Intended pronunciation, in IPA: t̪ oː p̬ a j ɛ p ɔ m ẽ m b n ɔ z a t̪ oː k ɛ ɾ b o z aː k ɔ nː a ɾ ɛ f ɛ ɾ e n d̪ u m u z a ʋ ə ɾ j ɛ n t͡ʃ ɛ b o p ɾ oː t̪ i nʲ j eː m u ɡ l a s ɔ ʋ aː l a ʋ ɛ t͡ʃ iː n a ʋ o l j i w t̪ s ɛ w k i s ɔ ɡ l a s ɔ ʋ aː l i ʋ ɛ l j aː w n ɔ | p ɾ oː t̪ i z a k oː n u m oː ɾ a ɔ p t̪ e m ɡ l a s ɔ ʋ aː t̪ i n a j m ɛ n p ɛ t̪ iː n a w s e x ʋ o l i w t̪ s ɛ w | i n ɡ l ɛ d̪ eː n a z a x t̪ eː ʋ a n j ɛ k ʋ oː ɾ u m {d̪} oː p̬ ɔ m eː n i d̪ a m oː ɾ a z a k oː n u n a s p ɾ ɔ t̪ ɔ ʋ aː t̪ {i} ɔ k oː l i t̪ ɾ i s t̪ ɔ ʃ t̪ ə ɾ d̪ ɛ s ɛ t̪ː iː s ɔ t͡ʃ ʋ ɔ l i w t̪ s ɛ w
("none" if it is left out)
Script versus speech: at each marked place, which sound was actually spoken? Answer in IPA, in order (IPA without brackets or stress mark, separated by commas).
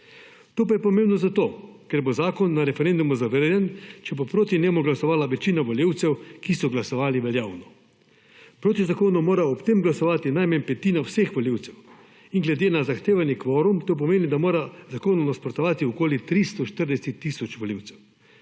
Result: t̪, i